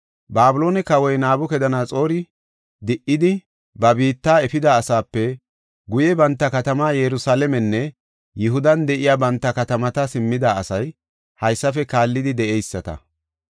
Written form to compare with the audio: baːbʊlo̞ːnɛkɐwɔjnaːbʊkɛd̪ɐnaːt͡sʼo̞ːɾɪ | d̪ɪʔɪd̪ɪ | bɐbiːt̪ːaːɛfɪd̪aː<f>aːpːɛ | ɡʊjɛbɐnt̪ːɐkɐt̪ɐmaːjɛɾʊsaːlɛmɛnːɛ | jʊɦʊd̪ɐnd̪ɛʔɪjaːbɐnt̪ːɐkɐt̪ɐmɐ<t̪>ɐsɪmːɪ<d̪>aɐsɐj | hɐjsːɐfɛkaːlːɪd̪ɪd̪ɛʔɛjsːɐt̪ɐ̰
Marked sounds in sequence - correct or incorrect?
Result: incorrect: s, correct, correct

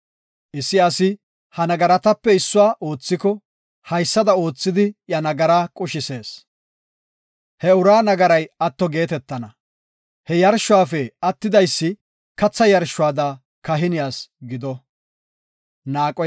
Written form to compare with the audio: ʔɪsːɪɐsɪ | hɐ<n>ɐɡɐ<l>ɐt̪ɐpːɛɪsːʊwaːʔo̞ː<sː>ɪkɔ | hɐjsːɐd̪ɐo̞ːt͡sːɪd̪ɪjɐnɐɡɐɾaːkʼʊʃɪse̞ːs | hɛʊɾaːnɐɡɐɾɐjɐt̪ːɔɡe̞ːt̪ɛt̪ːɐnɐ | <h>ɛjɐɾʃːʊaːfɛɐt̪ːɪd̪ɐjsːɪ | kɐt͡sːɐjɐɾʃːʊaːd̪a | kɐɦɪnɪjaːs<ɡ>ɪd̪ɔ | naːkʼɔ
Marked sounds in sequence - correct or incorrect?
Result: correct, incorrect: ɾ, incorrect: t͡sː, correct, correct

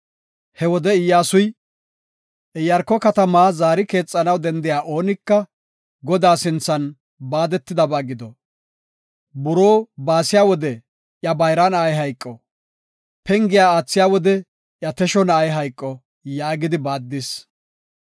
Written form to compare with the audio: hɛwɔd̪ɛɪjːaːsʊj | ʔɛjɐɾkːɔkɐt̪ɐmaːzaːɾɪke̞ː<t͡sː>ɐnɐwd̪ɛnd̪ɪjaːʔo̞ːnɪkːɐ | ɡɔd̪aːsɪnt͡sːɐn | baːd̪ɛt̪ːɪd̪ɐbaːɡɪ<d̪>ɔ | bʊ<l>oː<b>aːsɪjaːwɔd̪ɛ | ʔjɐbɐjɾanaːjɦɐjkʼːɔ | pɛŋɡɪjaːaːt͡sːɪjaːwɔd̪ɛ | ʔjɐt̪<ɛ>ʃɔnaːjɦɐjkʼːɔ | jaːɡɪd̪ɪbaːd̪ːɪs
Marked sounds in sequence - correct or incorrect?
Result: incorrect: t͡sʼː, correct, incorrect: ɾ, correct, correct

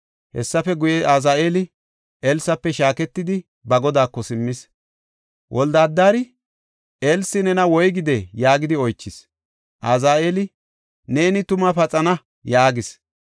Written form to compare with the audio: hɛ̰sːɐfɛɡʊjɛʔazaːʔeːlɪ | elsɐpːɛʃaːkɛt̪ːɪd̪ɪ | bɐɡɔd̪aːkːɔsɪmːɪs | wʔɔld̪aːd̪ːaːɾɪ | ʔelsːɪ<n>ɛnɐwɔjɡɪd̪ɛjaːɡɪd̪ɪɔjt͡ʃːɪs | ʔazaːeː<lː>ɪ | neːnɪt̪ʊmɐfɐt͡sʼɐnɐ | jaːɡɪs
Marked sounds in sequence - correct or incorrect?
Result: correct, incorrect: l

